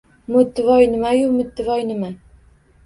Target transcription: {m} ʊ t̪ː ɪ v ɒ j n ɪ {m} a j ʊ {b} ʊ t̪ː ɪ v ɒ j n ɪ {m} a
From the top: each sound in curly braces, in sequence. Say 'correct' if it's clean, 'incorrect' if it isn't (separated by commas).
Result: correct, correct, incorrect, correct